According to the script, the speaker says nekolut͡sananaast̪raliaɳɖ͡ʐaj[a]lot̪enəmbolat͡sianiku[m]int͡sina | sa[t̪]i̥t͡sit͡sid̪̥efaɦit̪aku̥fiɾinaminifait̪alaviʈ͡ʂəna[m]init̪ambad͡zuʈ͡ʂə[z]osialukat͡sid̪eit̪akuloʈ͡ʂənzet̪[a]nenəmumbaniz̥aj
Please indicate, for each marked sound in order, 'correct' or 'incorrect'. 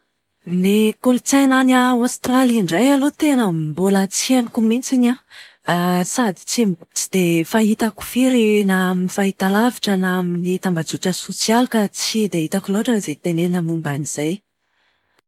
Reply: correct, correct, incorrect: d̪, correct, incorrect: s, incorrect: e

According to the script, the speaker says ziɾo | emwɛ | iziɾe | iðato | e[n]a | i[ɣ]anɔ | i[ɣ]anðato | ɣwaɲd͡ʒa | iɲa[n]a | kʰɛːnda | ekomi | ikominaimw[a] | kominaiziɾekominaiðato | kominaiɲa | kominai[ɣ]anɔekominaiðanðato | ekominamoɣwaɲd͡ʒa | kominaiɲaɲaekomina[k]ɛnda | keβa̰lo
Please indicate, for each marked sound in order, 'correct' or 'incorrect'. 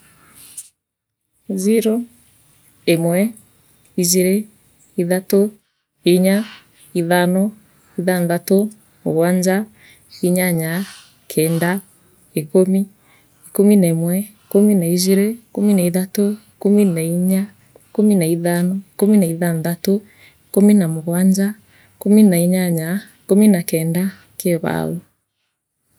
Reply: incorrect: ɲ, incorrect: ð, incorrect: ð, incorrect: ɲ, incorrect: ɛ, incorrect: ð, correct

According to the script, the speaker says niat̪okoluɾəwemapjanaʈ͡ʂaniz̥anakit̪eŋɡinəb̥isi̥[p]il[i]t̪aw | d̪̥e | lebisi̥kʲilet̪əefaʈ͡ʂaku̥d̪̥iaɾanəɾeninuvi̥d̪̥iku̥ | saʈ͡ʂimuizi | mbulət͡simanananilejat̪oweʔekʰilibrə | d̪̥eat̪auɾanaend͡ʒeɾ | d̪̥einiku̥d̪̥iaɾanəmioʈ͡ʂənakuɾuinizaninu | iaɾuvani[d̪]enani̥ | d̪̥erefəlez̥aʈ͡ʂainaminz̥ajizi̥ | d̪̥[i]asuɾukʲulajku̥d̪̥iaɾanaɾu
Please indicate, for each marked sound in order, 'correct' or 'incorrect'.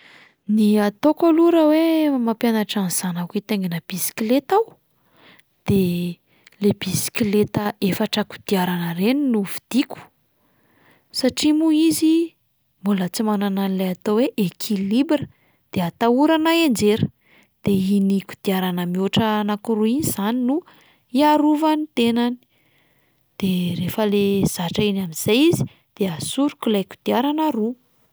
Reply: incorrect: k, incorrect: e, incorrect: t̪, incorrect: e

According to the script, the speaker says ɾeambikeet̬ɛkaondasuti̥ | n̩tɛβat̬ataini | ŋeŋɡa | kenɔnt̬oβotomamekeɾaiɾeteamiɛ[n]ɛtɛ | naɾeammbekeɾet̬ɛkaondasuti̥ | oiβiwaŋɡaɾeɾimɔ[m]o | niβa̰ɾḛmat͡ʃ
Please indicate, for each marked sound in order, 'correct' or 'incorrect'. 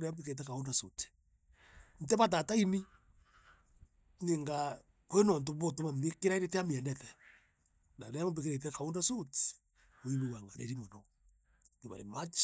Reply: correct, incorrect: n

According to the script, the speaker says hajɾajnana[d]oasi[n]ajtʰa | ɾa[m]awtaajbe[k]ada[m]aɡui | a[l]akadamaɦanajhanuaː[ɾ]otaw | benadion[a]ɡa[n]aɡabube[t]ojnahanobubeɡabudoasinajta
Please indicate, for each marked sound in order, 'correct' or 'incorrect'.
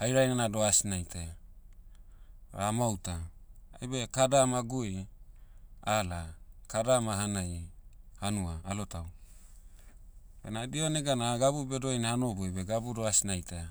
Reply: correct, correct, correct, correct, correct, correct, incorrect: l, incorrect: e, correct, incorrect: d

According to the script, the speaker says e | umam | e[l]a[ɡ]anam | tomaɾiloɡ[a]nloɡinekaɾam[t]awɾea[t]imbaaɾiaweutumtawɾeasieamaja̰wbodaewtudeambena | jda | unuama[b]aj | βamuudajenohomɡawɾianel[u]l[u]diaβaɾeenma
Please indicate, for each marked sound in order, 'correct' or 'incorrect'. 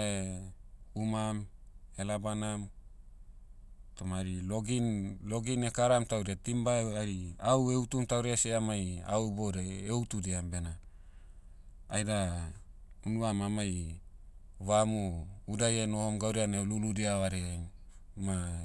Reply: correct, incorrect: b, incorrect: i, correct, correct, incorrect: m, correct, correct

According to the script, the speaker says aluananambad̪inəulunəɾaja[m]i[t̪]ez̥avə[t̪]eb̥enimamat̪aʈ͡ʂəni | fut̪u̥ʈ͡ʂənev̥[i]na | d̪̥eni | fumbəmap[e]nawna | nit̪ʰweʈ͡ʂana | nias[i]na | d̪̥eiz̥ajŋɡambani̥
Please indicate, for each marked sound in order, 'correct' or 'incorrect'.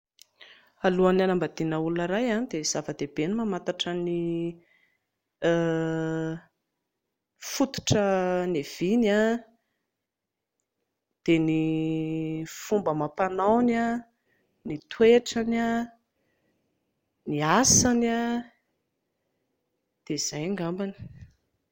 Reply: incorrect: n, incorrect: d̪, incorrect: d̪, correct, incorrect: a, incorrect: a

